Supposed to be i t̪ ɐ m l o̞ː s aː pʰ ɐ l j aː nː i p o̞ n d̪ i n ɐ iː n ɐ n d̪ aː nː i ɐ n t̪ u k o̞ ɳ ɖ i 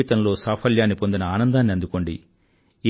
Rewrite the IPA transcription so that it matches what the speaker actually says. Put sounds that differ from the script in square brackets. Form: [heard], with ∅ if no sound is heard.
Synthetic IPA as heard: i t̪ ɐ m l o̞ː s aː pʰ ɐ l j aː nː i p o̞ n d̪ i n ɐ [aː] n ɐ n d̪ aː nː i ɐ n [d̪] u k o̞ ɳ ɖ i